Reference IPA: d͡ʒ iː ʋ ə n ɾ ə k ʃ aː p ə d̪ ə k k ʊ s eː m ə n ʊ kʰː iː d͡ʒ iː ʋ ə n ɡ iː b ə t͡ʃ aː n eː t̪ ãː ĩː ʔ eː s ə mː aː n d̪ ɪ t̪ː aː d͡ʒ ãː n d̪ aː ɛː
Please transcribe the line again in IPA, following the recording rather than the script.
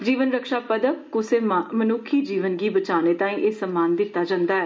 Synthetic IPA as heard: d͡ʒ iː ʋ ə n ɾ ə k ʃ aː p ə d̪ ə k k ʊ s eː m ə n ʊ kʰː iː d͡ʒ iː ʋ ə n ɡ iː b ə t͡ʃ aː n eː t̪ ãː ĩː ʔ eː s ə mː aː n d̪ ɪ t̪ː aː d͡ʒ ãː n d̪ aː ɛː